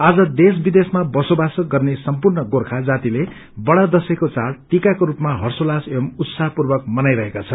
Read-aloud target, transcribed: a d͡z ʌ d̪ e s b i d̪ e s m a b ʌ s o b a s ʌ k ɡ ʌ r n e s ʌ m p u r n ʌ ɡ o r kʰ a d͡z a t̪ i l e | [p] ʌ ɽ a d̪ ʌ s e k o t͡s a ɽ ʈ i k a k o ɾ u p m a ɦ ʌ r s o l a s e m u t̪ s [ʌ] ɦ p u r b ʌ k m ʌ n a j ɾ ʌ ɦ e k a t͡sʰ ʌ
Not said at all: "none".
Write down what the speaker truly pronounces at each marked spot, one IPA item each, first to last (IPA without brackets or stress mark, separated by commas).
b, a